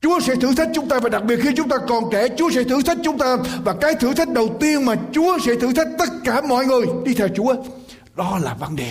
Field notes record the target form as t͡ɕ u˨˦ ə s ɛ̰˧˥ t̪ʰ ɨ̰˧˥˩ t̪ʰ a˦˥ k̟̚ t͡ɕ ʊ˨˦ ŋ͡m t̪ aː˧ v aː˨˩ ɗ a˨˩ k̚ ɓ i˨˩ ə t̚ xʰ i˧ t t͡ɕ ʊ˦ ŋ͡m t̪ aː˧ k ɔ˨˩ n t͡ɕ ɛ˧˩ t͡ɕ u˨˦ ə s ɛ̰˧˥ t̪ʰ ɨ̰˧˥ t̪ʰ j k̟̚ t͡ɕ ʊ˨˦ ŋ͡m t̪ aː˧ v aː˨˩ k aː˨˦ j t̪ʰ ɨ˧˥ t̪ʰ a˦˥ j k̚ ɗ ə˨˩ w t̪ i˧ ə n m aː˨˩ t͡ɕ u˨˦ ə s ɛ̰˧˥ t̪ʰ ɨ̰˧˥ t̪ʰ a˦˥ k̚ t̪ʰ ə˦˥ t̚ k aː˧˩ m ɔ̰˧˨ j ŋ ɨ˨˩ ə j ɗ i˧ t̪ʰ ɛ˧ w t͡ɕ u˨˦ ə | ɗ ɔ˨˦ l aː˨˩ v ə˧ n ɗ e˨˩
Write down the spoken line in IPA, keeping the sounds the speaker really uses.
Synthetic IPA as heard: t͡ɕ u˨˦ ə s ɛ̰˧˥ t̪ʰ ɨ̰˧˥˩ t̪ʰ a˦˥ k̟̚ t͡ɕ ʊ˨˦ ŋ͡m t̪ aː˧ v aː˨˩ ɗ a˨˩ k̚ ɓ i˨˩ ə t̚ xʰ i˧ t t͡ɕ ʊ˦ ŋ͡m t̪ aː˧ k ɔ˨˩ n t͡ɕ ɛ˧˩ t͡ɕ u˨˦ ə s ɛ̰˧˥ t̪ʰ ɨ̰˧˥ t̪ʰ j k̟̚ t͡ɕ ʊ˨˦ ŋ͡m t̪ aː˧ v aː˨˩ k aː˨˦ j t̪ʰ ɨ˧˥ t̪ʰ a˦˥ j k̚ ɗ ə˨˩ w t̪ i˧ ə n m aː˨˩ t͡ɕ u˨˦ ə s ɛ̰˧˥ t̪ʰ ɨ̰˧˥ t̪ʰ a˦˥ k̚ t̪ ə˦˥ t̚ k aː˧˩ m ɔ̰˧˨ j ŋ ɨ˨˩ ə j ɗ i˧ t̪ʰ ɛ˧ w t͡ɕ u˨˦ ə | ɗ ɔ˨˦ l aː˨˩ v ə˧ n ɗ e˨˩